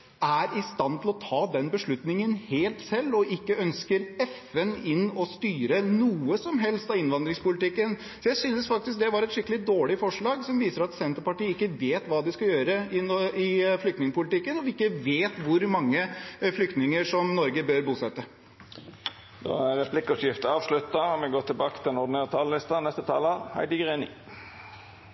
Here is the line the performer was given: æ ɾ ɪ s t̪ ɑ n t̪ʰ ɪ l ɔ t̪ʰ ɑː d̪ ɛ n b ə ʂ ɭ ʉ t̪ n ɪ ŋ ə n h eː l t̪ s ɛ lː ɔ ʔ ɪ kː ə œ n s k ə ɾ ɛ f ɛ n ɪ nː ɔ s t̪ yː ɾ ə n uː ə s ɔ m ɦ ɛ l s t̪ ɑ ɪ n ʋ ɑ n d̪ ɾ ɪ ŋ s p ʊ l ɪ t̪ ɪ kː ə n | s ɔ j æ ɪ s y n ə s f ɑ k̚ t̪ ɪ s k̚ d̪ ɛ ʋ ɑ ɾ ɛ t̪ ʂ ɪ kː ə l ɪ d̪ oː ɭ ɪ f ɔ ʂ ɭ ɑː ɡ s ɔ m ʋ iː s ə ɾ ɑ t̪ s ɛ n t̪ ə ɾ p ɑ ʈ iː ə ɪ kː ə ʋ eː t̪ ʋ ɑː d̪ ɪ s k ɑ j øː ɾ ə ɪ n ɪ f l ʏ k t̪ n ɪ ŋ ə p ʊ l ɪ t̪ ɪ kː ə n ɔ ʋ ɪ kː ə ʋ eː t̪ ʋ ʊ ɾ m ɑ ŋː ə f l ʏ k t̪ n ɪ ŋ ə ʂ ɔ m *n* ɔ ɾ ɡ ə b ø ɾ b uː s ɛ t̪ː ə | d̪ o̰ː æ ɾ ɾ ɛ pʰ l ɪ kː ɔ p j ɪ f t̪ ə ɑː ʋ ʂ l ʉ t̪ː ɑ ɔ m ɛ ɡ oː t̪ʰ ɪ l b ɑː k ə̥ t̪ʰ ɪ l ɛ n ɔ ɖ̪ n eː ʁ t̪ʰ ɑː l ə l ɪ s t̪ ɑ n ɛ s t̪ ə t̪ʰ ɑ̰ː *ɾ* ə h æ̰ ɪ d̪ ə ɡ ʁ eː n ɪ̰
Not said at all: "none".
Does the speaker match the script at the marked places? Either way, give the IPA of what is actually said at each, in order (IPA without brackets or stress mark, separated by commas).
n, l